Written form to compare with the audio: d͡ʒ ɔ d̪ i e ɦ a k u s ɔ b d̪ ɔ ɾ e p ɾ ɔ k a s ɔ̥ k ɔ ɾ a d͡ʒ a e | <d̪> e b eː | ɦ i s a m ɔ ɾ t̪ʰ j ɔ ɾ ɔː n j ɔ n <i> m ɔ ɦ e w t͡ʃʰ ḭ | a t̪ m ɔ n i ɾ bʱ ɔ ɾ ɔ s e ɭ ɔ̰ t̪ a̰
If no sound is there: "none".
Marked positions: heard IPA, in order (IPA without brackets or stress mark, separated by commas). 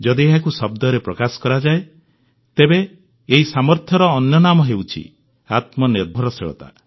t̪, a